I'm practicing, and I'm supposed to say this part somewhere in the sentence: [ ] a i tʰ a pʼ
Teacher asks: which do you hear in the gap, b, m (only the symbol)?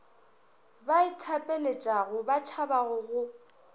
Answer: b